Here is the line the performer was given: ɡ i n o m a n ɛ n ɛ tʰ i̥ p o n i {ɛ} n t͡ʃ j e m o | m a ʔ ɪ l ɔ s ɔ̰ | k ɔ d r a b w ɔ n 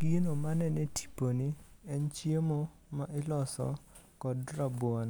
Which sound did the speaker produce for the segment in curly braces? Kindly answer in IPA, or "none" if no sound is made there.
ɛ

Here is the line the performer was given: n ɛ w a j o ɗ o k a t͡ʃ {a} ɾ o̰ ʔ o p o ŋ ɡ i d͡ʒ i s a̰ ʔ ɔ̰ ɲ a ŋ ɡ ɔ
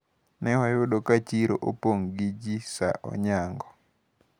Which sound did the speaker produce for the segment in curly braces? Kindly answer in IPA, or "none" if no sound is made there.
i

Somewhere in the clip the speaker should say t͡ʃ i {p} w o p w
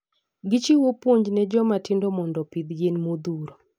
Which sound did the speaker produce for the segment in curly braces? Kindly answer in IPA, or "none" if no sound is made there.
none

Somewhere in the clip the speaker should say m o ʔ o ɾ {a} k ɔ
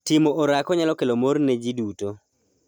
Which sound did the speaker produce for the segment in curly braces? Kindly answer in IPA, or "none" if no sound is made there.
a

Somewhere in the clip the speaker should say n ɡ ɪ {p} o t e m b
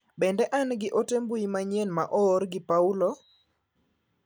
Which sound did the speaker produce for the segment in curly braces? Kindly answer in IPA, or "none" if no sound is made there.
ʔ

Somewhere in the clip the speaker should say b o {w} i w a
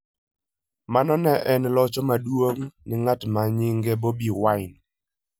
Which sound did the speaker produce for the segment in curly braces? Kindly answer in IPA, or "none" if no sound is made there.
b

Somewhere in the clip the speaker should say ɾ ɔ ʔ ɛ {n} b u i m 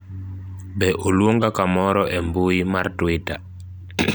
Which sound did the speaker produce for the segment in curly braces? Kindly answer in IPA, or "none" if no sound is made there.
m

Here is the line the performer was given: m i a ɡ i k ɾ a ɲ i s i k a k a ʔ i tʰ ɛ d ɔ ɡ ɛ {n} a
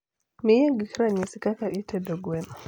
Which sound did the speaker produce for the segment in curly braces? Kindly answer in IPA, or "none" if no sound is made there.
n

